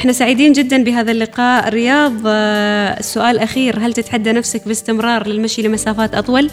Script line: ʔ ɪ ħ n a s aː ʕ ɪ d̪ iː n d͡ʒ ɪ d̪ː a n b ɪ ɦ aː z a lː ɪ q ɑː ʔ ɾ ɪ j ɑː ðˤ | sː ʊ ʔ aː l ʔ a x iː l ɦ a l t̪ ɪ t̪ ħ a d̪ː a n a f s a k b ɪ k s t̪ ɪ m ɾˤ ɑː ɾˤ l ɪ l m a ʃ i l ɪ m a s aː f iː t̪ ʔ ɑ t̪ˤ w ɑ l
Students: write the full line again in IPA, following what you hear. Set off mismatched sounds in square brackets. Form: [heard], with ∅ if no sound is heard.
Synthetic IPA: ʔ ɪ ħ n a s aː ʕ ɪ d̪ iː n d͡ʒ ɪ d̪ː a n b ɪ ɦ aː [ð] a lː ɪ q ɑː ʔ ɾ ɪ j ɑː ðˤ | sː ʊ ʔ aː l ʔ a x iː [ɾ] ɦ a l t̪ ɪ t̪ ħ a d̪ː a n a f s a k b ɪ [∅] s t̪ ɪ m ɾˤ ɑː ɾˤ l ɪ l m a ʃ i l ɪ m a s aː f [aː] t̪ ʔ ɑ t̪ˤ w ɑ l